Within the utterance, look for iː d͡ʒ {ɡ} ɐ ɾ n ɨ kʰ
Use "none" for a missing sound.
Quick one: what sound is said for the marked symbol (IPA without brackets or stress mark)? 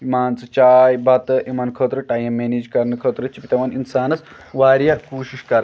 k